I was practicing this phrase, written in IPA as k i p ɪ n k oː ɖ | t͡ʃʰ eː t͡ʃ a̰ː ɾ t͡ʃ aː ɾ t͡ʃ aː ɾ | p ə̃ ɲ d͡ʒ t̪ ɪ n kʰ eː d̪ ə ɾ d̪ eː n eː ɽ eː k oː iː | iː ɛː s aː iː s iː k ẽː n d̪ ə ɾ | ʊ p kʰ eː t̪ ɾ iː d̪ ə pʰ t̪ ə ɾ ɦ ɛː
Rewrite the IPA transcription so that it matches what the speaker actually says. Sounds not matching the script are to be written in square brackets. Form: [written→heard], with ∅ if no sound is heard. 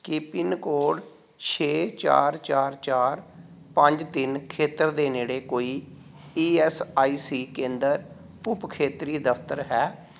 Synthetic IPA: k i p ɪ n k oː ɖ | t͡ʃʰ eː t͡ʃ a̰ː ɾ t͡ʃ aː ɾ t͡ʃ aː ɾ | p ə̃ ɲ d͡ʒ t̪ ɪ n kʰ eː [d̪→t̪] ə ɾ d̪ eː n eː ɽ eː k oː iː | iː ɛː s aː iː s iː k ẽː n d̪ ə ɾ | ʊ p kʰ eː t̪ ɾ iː d̪ ə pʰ t̪ ə ɾ ɦ ɛː